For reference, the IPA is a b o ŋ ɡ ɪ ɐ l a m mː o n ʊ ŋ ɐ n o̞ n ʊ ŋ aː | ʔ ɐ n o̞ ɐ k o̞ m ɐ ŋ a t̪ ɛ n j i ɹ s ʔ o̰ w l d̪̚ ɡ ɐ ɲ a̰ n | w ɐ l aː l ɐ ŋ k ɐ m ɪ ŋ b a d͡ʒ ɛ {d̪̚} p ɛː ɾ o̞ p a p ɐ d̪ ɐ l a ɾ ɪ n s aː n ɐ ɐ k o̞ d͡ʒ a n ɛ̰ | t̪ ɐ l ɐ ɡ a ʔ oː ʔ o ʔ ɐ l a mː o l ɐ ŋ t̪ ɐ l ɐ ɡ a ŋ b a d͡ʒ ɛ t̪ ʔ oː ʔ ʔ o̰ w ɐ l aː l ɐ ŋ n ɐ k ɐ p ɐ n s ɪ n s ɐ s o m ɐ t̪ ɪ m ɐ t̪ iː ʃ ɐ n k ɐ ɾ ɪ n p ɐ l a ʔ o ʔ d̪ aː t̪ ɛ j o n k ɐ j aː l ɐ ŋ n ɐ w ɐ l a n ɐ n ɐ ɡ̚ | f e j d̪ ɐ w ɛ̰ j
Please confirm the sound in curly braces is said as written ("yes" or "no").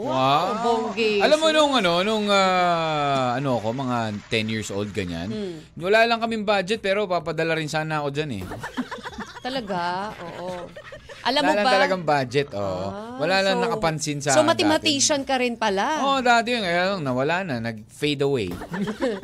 no